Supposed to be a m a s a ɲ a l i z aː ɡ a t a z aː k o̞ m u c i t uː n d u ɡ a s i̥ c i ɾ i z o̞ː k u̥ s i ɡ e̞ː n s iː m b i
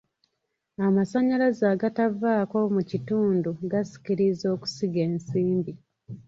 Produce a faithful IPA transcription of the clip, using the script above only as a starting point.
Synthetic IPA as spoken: a m a s a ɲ a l a z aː ɡ a t a v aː k o̞ m u c i t uː n d u ɡ a s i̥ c i ɾ i z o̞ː k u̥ s i ɡ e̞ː n s iː m b i

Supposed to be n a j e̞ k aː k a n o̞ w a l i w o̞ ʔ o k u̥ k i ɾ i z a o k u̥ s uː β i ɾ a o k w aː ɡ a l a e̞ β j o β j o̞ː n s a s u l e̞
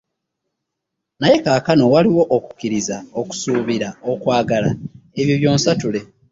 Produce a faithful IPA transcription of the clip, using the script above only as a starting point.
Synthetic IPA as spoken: n a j e̞ k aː k a n o̞ w a l i w o̞ ʔ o k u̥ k i ɾ i z a o k u̥ s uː β i ɾ a o k w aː ɡ a l a e̞ β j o β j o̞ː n s a t u l e̞

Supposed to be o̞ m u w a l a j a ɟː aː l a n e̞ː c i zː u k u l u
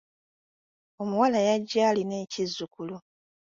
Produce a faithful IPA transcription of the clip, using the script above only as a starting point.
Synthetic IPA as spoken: o̞ m u w a l a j a ɟː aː l i n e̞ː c i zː u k u l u

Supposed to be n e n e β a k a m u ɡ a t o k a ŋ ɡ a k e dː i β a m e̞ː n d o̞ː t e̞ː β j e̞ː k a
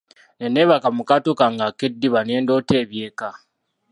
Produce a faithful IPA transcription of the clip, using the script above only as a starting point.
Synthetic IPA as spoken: n e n e β a k a m u k a t o k a ŋ ɡ a k e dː i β a n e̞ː n d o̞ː t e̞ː β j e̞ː k a

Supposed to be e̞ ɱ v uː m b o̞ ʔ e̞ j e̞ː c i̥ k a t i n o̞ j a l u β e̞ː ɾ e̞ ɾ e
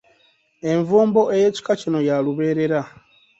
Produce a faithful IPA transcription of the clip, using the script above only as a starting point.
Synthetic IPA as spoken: e̞ ɱ v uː m b o̞ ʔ e̞ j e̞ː c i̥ k a c i n o̞ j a l u β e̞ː ɾ e̞ ɾ a

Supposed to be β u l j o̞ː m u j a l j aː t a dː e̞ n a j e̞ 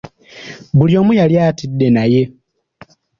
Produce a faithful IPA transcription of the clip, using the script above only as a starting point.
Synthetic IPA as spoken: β u l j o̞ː m u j a l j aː t i dː e̞ n a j e̞

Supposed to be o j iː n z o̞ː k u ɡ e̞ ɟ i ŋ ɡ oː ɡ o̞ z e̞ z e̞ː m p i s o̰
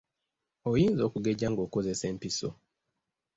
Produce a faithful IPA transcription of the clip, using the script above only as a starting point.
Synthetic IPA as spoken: o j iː n z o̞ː k u ɡ e̞ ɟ a ŋ ɡ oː k o̞ z e̞ s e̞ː m p i s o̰

